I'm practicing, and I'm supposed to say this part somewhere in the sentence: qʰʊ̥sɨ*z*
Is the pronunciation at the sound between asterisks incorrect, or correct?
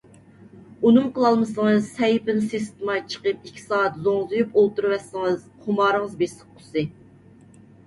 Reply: incorrect: none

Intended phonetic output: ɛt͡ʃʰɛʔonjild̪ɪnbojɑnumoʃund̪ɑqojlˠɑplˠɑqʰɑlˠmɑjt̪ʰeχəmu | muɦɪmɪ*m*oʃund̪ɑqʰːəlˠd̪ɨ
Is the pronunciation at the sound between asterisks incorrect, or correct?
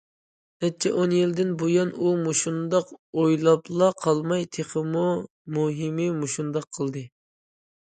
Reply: correct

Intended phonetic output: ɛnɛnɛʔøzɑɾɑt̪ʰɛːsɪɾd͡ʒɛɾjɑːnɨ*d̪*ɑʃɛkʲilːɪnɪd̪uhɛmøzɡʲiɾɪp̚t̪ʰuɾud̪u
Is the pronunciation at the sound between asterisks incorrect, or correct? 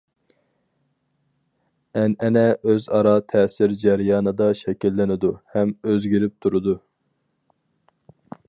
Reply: correct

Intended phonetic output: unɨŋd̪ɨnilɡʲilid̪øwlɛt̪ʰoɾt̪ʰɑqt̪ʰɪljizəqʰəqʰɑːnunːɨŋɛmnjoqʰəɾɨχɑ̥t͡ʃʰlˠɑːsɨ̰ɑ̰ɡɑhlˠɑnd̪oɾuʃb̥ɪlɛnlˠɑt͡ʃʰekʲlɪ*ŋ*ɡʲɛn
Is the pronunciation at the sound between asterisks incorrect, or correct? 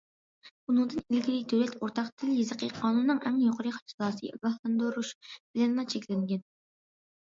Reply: correct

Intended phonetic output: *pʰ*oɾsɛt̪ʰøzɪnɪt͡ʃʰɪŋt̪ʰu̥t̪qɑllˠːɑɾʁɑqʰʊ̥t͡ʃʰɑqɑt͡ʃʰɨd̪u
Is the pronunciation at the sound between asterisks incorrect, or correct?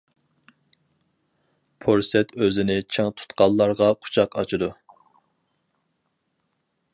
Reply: correct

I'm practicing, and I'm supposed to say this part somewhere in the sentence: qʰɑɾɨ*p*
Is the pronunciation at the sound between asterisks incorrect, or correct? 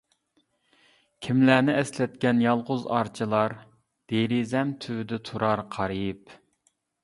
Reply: correct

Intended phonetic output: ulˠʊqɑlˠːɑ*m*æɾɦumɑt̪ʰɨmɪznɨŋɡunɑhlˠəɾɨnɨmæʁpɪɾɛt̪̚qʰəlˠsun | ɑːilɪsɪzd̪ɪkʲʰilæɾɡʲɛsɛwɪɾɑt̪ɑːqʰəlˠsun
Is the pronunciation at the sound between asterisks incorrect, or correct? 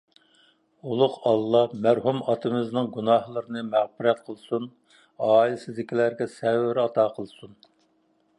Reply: correct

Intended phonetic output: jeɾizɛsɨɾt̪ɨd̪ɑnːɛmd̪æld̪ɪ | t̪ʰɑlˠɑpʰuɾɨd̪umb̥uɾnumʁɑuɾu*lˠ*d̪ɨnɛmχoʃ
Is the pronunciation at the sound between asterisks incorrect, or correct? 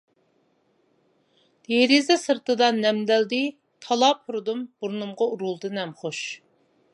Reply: correct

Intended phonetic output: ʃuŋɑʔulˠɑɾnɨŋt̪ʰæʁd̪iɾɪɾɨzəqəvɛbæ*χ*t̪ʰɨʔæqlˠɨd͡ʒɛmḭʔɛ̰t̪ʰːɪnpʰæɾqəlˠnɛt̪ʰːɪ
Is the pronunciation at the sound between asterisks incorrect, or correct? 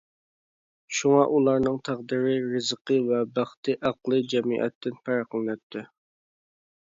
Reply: correct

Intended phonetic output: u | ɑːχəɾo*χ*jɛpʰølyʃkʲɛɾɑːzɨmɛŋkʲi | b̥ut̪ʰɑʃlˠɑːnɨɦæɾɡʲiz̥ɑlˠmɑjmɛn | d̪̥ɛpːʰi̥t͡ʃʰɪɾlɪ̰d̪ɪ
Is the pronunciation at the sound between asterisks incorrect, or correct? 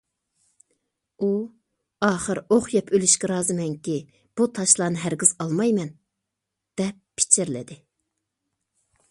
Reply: correct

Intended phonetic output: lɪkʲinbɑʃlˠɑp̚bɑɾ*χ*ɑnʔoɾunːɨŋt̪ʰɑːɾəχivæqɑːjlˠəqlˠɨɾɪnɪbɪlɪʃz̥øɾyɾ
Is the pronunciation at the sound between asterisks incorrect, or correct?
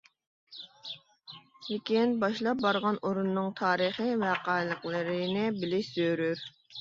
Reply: incorrect: ʁ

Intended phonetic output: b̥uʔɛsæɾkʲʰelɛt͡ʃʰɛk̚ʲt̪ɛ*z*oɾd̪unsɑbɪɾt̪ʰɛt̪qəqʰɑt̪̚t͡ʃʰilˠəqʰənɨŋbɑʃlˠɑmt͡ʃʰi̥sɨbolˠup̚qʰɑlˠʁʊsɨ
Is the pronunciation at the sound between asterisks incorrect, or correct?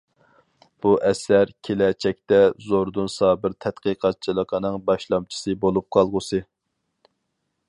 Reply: correct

